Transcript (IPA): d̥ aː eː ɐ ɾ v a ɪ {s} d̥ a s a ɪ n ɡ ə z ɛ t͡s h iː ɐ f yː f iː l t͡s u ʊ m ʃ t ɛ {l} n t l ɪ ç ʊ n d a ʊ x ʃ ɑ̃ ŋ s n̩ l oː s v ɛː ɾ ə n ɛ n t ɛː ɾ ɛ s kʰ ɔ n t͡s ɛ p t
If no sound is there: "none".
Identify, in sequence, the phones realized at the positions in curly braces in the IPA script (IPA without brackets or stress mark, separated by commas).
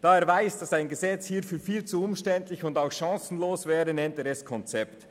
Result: s, none